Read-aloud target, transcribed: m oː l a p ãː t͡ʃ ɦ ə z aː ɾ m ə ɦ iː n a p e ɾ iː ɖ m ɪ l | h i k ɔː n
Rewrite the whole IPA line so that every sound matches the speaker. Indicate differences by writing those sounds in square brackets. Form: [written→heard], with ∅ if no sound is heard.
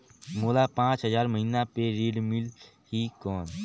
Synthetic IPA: m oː l a p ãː t͡ʃ ɦ ə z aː ɾ m ə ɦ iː n a p e ɾ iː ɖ m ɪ l | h i k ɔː n